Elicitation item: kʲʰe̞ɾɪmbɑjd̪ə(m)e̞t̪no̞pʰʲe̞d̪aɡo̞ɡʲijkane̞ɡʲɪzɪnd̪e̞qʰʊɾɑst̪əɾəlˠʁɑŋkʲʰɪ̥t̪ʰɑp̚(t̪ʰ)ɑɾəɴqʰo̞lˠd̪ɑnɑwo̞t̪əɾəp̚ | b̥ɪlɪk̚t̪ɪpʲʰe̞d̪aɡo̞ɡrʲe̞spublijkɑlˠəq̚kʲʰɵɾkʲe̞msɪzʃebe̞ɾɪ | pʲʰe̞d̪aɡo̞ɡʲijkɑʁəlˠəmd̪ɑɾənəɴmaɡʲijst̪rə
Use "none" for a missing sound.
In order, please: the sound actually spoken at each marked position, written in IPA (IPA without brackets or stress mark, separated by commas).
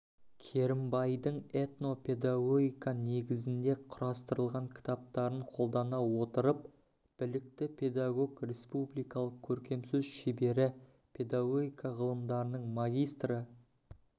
ɴ, t̪